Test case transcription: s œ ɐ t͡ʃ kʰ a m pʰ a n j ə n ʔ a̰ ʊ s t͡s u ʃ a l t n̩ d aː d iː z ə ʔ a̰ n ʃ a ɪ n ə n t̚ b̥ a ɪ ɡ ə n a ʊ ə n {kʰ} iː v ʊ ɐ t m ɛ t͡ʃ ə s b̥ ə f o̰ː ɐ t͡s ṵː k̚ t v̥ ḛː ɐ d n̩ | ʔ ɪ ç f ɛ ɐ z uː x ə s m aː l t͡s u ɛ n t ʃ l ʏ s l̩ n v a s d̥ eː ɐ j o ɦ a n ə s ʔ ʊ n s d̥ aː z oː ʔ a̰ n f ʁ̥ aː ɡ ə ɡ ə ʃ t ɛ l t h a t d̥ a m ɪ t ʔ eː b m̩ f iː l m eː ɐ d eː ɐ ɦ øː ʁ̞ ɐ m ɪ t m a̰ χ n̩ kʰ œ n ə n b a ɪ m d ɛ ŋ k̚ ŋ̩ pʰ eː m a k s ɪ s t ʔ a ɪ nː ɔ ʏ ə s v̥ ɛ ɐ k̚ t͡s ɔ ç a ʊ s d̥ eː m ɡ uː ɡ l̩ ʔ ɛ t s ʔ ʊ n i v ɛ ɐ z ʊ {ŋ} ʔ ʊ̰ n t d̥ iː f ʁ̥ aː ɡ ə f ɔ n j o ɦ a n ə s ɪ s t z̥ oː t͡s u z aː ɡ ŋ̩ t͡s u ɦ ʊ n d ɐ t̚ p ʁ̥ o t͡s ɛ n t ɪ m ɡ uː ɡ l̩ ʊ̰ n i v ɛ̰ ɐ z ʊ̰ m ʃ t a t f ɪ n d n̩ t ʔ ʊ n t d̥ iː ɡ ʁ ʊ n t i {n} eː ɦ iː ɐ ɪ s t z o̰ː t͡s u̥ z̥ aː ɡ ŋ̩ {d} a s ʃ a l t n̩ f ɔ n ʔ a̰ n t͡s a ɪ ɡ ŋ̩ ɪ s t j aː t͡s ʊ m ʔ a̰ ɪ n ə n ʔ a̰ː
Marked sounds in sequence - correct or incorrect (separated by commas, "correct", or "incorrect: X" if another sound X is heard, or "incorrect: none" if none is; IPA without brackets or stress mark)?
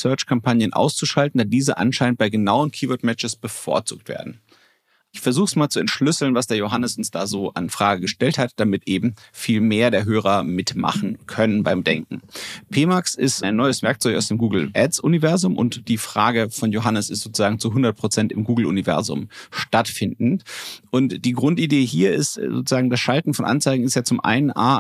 correct, incorrect: m, incorrect: d, correct